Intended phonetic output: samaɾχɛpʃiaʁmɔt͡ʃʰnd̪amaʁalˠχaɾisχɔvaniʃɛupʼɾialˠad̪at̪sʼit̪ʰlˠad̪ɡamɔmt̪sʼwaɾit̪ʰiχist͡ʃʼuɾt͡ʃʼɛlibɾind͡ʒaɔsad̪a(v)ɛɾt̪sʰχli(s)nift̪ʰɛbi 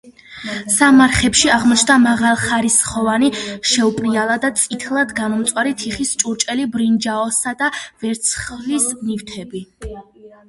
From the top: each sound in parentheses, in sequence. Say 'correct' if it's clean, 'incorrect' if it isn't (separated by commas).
correct, correct